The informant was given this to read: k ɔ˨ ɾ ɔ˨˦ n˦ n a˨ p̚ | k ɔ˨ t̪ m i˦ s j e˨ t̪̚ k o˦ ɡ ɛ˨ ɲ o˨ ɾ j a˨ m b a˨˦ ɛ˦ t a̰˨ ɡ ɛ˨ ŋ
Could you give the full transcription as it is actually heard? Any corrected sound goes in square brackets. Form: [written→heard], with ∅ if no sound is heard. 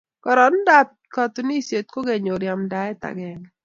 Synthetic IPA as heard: k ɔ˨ ɾ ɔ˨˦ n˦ [n→d] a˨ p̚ | k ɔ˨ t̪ [m→n] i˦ s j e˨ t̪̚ k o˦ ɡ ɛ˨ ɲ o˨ ɾ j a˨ m [b→d] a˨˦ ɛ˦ t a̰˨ ɡ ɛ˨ ŋ